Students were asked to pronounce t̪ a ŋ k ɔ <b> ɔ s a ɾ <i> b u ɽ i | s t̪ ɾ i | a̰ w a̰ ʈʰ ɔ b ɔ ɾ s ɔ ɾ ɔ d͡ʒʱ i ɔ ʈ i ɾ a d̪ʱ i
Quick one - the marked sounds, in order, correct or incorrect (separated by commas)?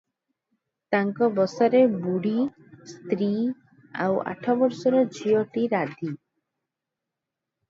correct, incorrect